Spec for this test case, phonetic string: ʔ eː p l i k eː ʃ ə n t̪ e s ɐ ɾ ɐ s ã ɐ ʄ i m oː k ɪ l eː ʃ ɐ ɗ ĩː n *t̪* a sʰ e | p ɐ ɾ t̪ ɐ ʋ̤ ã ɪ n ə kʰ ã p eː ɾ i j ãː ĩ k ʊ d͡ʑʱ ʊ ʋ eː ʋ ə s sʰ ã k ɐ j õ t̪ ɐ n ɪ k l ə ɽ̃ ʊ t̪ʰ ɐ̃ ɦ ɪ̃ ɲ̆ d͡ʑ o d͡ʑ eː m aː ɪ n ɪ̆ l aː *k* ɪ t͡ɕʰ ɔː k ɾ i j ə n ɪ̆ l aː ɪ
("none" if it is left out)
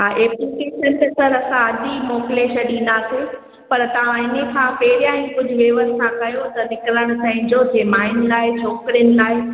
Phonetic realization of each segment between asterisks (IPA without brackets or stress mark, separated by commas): d̪, none